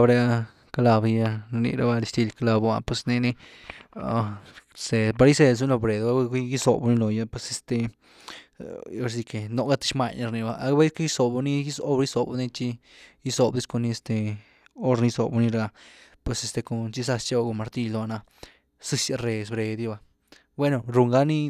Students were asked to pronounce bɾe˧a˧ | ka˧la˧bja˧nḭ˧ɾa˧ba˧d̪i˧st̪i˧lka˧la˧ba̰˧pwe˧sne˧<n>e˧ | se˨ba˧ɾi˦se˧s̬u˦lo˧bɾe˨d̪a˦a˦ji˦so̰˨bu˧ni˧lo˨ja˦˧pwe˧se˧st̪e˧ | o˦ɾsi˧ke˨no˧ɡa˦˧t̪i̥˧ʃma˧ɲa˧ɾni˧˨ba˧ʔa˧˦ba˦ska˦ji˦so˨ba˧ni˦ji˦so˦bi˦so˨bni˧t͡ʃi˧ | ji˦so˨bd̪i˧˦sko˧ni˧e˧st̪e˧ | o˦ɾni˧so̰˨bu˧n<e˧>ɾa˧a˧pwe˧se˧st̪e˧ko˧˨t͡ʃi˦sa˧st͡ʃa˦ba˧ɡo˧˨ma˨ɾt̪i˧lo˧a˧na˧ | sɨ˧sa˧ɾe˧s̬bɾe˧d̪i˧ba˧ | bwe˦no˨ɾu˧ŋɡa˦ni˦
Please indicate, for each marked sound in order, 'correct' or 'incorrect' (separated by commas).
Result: correct, incorrect